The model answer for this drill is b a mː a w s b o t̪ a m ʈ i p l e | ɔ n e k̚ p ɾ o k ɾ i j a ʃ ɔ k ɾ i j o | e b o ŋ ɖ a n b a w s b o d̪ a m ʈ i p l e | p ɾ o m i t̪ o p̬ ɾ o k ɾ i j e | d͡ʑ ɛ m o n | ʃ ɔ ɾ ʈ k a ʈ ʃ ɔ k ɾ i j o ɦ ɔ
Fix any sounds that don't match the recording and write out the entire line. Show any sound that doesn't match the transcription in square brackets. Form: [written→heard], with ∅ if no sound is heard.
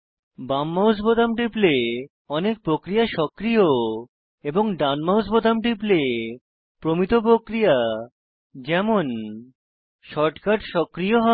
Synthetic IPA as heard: b a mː a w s b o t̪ a m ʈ i p l e | ɔ n e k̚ p ɾ o k ɾ i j a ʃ ɔ k ɾ i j o | e b o ŋ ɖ a n [b→m] a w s b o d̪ a m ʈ i p l e | p ɾ o m i t̪ o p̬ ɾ o k ɾ i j [e→a] | d͡ʑ ɛ m o n | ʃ ɔ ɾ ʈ k a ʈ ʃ ɔ k ɾ i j o ɦ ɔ

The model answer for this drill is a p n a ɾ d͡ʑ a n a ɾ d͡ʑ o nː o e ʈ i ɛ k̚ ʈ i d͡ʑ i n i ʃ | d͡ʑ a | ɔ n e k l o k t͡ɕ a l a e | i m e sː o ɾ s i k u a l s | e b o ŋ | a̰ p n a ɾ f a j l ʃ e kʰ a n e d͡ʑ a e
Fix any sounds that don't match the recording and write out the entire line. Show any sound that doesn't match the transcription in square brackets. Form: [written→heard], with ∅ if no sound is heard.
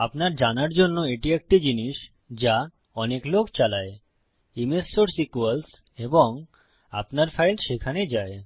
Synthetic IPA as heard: a p n a ɾ d͡ʑ a n a ɾ d͡ʑ o nː o e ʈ i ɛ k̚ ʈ i d͡ʑ i n i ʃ | d͡ʑ a | ɔ n e k l o k t͡ɕ a l a e | i m e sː o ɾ s i k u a l s | e b o ŋ | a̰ p n a ɾ f a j l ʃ e kʰ a n e d͡ʑ a e

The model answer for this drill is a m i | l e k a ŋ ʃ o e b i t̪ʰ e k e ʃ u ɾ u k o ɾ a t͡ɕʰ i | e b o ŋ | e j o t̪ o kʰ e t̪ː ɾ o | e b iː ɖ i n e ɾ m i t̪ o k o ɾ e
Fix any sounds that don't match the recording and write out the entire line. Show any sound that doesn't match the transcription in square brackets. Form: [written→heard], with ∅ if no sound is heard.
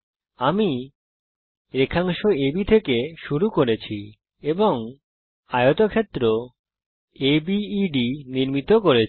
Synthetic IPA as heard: a m i | [l→ɾ] e [k→kʰ] a ŋ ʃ o e b i t̪ʰ e k e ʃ u ɾ u k o ɾ [a→e] t͡ɕʰ i | e b o ŋ | [e→a] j o t̪ o kʰ e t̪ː ɾ o | e b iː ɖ i n [e→i] ɾ m i t̪ o k o ɾ e

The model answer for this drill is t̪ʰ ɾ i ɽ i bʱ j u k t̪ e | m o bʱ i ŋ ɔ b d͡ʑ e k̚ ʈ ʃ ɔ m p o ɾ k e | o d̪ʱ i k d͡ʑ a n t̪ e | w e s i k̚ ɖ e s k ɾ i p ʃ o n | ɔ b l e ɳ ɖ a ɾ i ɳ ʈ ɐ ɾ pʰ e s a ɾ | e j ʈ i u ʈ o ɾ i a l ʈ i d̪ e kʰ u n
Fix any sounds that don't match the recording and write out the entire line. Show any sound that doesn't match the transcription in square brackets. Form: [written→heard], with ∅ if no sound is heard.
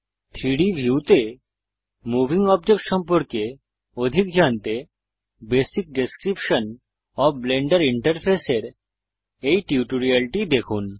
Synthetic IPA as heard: t̪ʰ ɾ i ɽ i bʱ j u [k→∅] t̪ e | m [o→u] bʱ i ŋ ɔ b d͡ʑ e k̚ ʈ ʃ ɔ m p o ɾ k e | o d̪ʱ i k d͡ʑ a n t̪ e | [w→b] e s i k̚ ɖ e s k ɾ i p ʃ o n | ɔ b l e ɳ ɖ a ɾ i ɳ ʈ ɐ ɾ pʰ e s [a→e] ɾ | e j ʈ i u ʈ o ɾ i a l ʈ i d̪ e kʰ u n

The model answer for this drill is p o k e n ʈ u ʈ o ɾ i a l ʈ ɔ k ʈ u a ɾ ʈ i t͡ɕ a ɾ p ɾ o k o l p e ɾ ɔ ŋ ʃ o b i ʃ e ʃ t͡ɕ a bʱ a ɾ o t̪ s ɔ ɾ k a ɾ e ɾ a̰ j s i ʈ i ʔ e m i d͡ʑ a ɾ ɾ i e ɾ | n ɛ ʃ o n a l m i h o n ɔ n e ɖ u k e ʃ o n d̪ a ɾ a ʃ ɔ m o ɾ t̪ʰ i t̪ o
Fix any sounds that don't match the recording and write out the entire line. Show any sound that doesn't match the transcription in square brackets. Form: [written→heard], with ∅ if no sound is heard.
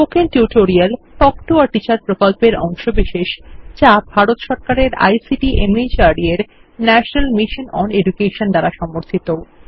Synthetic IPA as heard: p o k e n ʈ u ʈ o ɾ i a l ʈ ɔ k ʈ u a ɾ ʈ i t͡ɕ a ɾ p ɾ o k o l p e ɾ ɔ ŋ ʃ o b i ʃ e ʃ t͡ɕ a bʱ a ɾ o t̪ [s→ʃ] ɔ ɾ k a ɾ e ɾ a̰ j s i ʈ i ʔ e m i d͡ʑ a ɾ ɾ i e ɾ | n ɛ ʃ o n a l m i [h→ʃ] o n ɔ n e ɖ u k e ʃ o n d̪ a ɾ a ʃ ɔ m o ɾ t̪ʰ i t̪ o

